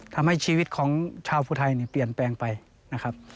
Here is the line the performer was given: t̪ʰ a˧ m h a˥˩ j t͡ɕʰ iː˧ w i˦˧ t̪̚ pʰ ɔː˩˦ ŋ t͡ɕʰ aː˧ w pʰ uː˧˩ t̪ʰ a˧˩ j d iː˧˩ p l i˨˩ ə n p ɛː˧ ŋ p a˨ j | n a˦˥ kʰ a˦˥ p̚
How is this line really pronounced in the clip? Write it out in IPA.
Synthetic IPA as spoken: t̪ʰ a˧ m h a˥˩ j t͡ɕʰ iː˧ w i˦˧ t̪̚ kʰ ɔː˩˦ ŋ t͡ɕʰ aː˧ w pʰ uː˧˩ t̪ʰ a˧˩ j n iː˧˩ p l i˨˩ ə n p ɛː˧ ŋ p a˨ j | n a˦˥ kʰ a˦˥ p̚